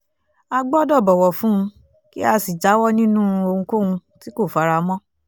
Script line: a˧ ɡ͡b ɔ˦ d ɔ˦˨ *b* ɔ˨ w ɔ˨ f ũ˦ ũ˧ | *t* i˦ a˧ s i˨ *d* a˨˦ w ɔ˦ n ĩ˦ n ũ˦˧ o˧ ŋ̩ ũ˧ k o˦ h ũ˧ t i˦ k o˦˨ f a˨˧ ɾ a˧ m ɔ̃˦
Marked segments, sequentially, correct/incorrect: correct, incorrect, incorrect

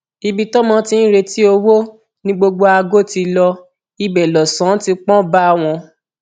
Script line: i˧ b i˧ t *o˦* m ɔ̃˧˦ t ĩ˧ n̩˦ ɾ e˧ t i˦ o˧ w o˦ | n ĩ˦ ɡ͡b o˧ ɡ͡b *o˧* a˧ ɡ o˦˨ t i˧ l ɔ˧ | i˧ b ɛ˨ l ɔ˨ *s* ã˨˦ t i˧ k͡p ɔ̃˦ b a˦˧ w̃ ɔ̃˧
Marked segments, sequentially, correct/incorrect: incorrect, correct, correct

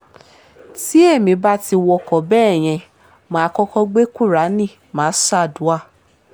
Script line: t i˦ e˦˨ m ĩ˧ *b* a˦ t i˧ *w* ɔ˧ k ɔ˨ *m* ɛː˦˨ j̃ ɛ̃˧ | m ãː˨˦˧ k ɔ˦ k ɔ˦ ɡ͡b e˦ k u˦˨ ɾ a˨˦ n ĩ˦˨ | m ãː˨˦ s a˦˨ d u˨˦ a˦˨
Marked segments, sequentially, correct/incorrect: correct, correct, incorrect

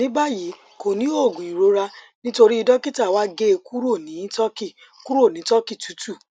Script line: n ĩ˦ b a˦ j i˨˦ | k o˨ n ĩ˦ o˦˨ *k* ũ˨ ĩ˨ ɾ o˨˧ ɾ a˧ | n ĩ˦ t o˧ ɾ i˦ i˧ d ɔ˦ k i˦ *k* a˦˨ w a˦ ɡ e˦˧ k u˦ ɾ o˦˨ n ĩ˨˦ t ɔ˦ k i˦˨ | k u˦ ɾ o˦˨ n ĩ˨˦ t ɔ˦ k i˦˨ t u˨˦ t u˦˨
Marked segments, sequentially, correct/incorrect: incorrect, incorrect

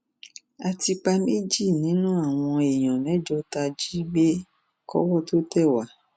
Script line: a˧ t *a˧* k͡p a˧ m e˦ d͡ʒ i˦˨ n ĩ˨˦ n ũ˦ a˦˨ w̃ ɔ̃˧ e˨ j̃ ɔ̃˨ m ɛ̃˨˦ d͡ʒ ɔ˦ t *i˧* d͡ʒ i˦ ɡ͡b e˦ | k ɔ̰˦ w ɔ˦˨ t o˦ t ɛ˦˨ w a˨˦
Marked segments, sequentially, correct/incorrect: incorrect, incorrect

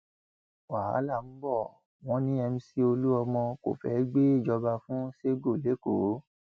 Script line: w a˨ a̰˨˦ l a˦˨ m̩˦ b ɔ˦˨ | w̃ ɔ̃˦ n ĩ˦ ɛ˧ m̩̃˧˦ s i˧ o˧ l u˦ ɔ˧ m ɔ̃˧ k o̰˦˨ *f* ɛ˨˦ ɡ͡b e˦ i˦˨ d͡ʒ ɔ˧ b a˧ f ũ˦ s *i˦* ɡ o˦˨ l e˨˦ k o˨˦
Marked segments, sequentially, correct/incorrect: correct, incorrect

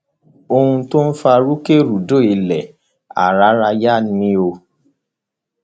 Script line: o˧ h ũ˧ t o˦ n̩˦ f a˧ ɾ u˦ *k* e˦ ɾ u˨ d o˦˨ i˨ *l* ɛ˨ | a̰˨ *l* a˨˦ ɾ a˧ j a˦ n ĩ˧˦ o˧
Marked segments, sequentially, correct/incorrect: correct, correct, incorrect

